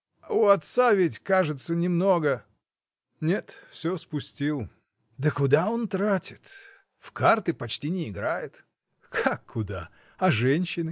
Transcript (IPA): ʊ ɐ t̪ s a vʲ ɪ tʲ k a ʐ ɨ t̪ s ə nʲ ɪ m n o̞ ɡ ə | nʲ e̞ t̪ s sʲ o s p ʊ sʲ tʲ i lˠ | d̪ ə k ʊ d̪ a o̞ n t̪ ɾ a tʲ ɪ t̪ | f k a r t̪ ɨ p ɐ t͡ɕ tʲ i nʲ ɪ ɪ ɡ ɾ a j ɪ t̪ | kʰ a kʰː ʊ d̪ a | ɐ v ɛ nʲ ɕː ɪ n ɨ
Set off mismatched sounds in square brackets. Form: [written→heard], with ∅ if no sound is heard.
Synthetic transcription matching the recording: ʊ ɐ t̪ s a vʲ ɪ tʲ k a ʐ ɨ t̪ s ə nʲ ɪ m n o̞ ɡ ə | nʲ e̞ t̪ [s→f] sʲ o s p ʊ sʲ tʲ i lˠ | d̪ ə k ʊ d̪ a o̞ n t̪ ɾ a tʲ ɪ t̪ | f k a r t̪ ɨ p ɐ t͡ɕ tʲ i nʲ ɪ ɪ ɡ ɾ a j ɪ t̪ | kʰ a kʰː ʊ d̪ a | ɐ [v→ʐ] ɛ nʲ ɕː ɪ n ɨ